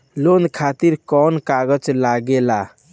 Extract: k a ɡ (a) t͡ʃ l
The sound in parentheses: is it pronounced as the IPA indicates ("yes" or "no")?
no